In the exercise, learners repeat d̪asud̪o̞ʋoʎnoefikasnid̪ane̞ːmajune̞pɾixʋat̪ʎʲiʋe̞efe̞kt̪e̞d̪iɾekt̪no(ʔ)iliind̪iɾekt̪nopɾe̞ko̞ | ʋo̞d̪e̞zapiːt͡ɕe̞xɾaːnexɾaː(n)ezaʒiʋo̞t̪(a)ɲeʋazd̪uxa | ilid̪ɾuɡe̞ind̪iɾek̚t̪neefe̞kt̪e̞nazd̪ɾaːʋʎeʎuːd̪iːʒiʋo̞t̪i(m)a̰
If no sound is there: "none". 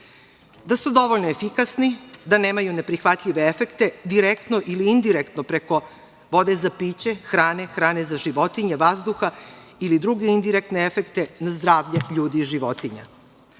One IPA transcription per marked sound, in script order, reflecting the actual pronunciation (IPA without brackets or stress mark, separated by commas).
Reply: ʔ, n, i, ɲ